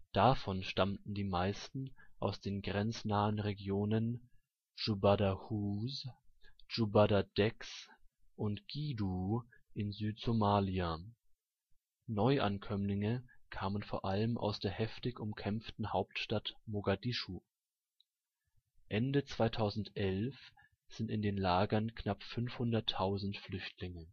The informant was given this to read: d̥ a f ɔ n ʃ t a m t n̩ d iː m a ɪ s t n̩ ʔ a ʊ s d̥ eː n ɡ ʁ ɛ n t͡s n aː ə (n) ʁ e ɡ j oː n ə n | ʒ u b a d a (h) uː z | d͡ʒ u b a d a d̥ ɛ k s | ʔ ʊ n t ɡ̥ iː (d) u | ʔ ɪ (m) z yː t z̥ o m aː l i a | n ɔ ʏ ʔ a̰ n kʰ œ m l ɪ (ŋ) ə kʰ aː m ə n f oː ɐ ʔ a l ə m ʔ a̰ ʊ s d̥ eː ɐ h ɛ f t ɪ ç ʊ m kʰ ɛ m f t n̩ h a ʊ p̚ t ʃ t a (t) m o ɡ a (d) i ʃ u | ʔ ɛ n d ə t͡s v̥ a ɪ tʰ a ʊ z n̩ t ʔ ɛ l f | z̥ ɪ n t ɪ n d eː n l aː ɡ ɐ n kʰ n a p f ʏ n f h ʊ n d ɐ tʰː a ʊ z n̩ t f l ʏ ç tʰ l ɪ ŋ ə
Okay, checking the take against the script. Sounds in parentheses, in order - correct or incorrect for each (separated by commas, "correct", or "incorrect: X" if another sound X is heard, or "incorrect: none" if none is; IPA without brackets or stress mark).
correct, correct, correct, incorrect: n, correct, correct, correct